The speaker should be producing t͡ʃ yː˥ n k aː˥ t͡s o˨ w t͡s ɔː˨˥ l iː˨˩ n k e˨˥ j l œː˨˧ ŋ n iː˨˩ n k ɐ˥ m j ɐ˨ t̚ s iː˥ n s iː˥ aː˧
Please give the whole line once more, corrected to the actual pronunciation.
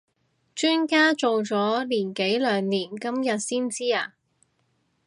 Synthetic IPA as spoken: t͡ʃ yː˥ n k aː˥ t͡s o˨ w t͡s ɔː˨˥ l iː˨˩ n k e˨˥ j l œː˨˧ ŋ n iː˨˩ n k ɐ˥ m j ɐ˨ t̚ s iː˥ n t͡s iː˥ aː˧